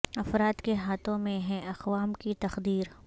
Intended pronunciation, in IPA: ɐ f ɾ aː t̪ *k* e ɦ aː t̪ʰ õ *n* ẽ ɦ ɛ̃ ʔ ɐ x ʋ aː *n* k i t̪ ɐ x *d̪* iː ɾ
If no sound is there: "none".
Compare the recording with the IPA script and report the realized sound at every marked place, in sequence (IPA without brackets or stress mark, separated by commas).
k, m, m, d̪